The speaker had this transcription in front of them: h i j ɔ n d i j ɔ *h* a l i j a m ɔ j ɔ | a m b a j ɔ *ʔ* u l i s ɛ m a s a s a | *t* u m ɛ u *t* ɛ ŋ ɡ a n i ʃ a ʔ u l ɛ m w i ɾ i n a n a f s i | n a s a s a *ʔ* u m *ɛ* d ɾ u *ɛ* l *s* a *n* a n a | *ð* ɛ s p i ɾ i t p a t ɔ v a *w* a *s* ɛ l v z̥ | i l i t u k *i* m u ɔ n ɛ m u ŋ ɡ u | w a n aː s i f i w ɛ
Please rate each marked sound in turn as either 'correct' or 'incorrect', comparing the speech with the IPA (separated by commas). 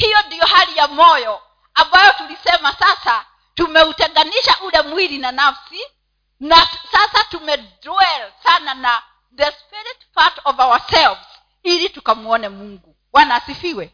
correct, incorrect, correct, correct, incorrect, correct, correct, correct, correct, correct, correct, correct, incorrect